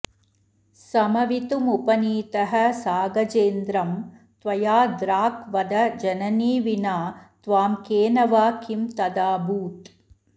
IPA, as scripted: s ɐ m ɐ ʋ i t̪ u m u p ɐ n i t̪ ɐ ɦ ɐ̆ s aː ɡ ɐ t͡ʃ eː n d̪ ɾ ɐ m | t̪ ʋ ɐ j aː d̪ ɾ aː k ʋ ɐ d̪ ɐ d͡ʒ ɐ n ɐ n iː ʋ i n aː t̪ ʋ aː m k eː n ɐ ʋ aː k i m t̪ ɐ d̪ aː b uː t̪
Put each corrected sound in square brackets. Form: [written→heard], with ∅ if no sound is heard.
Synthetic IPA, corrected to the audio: s ɐ m ɐ ʋ i t̪ u m u p ɐ n [i→iː] t̪ ɐ ɦ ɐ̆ s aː ɡ ɐ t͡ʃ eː n d̪ ɾ ɐ m | t̪ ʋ ɐ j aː d̪ ɾ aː k ʋ ɐ d̪ ɐ d͡ʒ ɐ n ɐ n iː ʋ i n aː t̪ ʋ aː m k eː n ɐ ʋ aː k i m t̪ ɐ d̪ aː b uː t̪